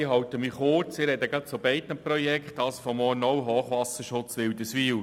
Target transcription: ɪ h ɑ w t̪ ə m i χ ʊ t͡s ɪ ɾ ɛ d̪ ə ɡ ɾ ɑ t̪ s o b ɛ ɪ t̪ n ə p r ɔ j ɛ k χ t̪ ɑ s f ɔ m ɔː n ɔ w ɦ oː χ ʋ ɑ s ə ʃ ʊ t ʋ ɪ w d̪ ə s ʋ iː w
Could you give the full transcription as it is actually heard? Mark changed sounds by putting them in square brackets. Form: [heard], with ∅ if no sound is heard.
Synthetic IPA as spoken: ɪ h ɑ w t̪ ə m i χ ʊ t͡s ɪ ɾ ɛ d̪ ə ɡ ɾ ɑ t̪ s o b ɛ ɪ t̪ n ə p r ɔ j ɛ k χ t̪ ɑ s f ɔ m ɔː n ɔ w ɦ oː χ ʋ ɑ s ə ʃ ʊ [t͡s] ʋ ɪ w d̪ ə s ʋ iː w